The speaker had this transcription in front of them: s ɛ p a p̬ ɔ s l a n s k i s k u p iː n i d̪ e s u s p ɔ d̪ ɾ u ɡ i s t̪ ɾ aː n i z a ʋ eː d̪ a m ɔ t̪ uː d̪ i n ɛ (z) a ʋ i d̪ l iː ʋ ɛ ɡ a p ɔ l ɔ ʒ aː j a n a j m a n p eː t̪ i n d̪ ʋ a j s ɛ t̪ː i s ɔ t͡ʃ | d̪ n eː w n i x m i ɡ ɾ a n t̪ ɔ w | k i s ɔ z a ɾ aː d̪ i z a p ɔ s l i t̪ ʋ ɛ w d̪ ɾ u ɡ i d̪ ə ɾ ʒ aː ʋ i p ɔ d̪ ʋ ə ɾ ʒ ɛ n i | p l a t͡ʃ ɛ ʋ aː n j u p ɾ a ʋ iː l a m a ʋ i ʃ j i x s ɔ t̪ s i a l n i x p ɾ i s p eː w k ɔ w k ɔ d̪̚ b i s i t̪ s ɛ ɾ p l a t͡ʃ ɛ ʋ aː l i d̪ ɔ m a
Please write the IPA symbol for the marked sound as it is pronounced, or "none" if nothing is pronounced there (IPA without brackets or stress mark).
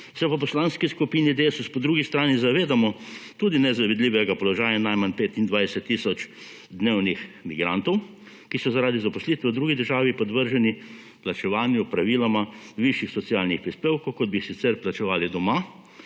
z